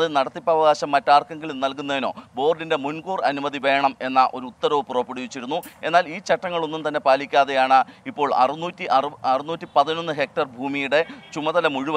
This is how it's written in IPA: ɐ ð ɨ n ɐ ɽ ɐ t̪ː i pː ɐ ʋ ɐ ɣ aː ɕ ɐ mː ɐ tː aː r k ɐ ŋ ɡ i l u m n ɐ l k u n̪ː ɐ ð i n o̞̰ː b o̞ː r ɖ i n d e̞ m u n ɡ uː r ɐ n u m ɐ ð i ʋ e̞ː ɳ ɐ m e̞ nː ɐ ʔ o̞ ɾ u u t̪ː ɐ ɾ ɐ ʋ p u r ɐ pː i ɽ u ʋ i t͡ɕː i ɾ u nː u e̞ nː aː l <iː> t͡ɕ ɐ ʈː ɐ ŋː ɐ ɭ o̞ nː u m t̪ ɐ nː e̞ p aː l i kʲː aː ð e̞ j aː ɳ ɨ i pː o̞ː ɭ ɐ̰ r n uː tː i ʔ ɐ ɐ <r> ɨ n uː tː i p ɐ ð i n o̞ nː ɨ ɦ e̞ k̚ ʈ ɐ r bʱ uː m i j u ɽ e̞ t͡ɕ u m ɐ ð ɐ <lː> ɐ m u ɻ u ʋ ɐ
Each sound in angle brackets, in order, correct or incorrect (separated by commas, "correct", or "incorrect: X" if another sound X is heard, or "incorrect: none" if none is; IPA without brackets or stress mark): correct, correct, incorrect: l